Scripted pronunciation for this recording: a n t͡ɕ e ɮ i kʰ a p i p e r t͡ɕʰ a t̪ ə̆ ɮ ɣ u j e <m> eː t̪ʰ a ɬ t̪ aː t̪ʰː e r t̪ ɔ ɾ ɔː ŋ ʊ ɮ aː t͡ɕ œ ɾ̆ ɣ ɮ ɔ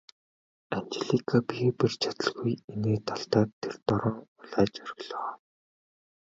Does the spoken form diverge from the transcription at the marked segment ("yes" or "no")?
yes